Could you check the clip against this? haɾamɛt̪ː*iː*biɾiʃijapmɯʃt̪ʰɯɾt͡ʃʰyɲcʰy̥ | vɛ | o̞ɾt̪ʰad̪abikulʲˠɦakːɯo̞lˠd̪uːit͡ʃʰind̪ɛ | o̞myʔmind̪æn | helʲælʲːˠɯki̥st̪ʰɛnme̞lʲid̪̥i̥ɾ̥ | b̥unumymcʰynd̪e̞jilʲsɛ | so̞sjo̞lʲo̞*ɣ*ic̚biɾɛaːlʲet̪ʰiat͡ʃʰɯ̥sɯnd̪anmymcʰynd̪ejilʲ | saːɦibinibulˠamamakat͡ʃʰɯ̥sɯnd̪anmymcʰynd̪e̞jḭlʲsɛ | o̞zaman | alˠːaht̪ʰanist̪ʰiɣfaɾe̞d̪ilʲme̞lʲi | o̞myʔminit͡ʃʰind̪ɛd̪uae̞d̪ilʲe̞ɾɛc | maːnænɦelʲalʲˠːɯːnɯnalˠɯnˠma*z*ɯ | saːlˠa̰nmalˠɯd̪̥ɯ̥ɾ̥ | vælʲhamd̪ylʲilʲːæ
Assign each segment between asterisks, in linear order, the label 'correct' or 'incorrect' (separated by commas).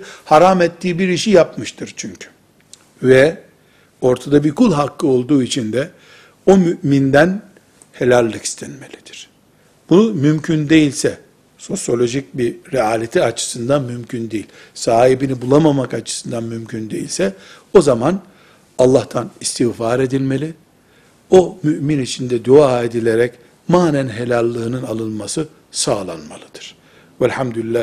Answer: correct, incorrect, incorrect